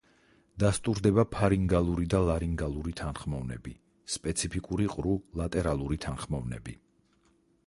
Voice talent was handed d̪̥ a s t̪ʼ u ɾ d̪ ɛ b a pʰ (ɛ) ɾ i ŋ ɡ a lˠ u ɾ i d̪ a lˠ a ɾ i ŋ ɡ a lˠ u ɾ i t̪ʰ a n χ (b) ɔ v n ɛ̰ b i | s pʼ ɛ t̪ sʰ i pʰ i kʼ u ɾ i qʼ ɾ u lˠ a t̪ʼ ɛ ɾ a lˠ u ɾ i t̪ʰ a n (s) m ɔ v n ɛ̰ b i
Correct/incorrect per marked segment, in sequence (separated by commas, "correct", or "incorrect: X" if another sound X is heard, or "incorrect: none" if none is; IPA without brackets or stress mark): incorrect: a, incorrect: m, incorrect: χ